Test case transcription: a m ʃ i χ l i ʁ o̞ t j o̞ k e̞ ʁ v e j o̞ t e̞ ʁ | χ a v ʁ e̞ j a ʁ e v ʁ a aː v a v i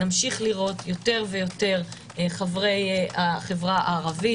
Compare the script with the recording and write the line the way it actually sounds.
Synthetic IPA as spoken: a m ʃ i χ l i ʁ o̞ t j o̞ t e̞ ʁ v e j o̞ t e̞ ʁ | χ a v ʁ e̞ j a χ e v ʁ a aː ʁ a v i